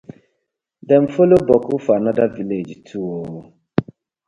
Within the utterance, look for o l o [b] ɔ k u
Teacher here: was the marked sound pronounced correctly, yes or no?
yes